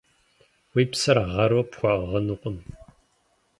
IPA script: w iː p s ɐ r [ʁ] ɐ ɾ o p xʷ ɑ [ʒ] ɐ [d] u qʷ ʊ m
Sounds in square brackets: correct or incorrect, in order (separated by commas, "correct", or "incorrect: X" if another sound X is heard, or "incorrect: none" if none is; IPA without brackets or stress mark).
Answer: correct, incorrect: ʁ, incorrect: n